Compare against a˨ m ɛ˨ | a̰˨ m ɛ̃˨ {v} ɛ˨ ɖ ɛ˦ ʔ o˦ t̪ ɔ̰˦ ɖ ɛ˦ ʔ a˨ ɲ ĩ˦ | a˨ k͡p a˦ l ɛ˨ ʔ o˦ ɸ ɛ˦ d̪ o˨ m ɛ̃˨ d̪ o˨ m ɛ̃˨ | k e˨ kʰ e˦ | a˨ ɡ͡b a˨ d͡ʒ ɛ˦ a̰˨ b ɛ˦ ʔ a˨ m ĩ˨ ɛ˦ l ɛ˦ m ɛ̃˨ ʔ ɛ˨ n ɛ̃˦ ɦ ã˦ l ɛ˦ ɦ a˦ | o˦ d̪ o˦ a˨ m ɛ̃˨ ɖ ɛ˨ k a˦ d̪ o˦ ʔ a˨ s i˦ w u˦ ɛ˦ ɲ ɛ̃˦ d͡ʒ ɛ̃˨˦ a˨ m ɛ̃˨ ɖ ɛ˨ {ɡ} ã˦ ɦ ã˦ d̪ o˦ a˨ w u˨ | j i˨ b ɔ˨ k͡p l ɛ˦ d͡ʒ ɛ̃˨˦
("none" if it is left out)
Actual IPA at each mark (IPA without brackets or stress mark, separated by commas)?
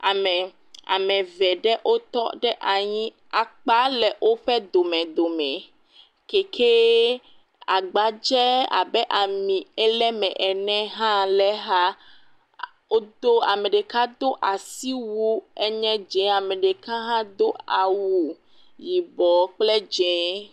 v, k